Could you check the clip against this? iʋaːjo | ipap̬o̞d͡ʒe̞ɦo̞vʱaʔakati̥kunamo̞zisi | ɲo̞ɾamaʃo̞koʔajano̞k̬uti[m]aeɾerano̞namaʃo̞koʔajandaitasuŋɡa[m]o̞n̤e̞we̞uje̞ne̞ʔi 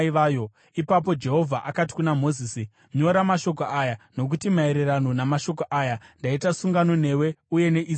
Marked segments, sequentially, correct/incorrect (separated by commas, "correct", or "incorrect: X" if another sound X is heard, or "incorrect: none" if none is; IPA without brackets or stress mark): correct, incorrect: n